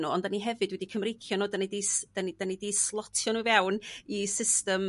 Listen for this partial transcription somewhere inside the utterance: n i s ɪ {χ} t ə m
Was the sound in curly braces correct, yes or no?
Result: no